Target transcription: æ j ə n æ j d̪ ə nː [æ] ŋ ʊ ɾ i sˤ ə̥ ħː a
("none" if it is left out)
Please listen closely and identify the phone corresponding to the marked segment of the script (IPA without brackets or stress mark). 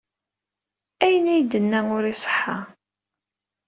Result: æ